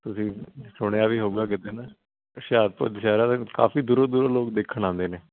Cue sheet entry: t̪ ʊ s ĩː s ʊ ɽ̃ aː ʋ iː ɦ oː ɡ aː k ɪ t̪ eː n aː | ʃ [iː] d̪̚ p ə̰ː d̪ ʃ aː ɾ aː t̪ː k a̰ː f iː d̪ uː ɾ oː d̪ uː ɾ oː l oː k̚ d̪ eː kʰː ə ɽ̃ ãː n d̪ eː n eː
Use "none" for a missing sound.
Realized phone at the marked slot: aː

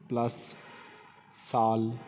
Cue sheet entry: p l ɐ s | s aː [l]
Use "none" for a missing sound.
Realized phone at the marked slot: l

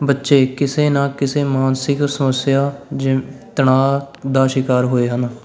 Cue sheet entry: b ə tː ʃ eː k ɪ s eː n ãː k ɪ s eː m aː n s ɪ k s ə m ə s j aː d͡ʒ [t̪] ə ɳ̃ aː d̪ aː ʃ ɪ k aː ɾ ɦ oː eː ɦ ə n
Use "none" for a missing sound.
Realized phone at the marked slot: t̪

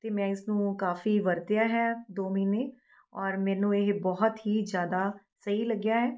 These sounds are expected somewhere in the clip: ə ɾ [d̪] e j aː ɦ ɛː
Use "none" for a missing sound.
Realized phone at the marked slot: t̪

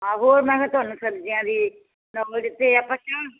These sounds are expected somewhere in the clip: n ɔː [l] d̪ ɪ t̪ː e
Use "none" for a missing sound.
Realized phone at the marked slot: l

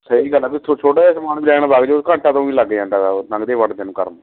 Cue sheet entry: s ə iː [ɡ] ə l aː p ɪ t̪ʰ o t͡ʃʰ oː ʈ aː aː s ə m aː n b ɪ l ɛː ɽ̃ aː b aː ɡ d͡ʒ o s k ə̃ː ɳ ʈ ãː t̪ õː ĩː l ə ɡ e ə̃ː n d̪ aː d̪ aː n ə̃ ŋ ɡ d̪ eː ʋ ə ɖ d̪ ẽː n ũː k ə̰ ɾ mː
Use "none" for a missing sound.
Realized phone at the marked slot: ɡ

